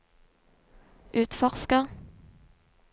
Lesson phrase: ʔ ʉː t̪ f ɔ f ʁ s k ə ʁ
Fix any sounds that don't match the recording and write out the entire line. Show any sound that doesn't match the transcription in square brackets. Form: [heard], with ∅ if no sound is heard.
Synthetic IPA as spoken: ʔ ʉː t̪ f ɔ [∅] ʁ s k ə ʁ